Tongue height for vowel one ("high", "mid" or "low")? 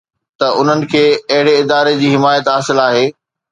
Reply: low